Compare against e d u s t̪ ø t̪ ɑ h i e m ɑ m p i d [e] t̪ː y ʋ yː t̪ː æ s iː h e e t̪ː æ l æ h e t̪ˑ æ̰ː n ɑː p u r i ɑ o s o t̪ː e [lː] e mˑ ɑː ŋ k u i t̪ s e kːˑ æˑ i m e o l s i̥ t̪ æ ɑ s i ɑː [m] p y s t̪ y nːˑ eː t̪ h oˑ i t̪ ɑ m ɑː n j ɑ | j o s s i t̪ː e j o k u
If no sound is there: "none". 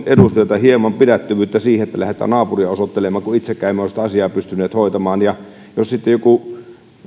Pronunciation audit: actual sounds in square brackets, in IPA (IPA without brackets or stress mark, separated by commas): æ, l, none